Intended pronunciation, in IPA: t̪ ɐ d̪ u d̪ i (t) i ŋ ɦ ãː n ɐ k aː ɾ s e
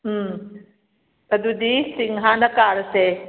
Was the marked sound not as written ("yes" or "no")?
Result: yes